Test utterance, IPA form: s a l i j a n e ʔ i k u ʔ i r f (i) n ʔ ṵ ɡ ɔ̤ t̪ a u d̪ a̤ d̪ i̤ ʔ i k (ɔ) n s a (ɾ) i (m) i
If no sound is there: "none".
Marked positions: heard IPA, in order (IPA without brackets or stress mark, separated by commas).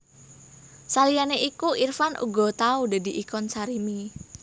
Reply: a, ɔ, ɾ, m